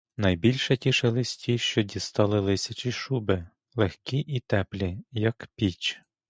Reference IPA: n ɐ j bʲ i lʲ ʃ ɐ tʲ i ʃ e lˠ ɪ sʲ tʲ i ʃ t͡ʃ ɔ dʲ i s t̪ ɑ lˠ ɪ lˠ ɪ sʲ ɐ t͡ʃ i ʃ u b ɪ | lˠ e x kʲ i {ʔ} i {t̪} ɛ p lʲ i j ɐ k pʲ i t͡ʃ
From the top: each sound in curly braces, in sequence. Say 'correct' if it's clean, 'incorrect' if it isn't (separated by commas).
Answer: correct, correct